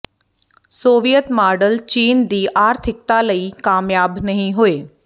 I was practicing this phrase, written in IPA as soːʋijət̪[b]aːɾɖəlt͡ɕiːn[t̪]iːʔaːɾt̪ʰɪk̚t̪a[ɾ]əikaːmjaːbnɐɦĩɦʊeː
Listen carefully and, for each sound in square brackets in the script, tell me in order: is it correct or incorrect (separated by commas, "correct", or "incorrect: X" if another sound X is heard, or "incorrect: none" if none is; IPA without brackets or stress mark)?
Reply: incorrect: m, incorrect: d̪, incorrect: l